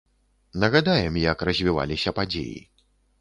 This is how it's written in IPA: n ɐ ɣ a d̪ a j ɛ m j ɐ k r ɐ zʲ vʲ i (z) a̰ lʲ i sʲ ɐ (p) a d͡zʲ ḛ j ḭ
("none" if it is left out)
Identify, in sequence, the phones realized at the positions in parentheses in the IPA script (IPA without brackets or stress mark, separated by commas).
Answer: v, p